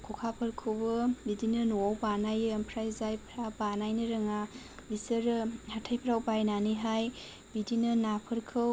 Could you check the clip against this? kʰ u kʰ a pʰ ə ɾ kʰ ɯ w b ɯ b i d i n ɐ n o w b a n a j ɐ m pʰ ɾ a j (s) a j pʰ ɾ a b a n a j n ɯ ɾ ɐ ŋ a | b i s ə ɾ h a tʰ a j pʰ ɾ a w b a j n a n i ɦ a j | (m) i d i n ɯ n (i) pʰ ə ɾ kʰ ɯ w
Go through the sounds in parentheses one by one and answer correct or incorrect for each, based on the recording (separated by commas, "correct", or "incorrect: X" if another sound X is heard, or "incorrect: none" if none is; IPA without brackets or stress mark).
incorrect: z, incorrect: b, incorrect: a